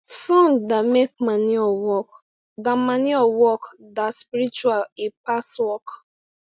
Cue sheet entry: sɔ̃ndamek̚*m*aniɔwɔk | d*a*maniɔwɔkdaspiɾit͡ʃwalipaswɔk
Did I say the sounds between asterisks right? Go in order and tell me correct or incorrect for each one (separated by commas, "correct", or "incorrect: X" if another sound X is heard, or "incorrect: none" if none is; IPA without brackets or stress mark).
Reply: correct, correct